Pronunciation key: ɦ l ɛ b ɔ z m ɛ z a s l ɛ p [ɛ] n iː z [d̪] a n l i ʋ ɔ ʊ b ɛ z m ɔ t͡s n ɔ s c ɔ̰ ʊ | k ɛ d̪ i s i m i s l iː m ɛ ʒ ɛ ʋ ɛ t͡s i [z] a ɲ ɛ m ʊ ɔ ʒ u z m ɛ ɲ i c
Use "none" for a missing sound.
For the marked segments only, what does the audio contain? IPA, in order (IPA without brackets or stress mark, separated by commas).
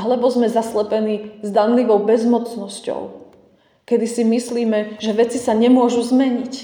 ɛ, d̪, s